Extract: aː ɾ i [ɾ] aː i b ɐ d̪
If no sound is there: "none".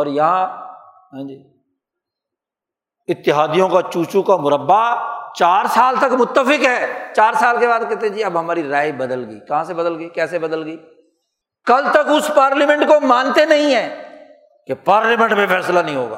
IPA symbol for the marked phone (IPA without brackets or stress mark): ɾ